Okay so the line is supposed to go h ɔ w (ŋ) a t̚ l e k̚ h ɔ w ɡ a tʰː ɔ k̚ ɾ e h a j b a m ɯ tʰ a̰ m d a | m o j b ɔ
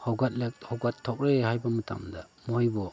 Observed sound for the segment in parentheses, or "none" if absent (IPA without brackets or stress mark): ɡ